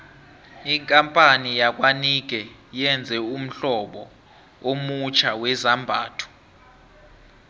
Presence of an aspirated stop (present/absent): present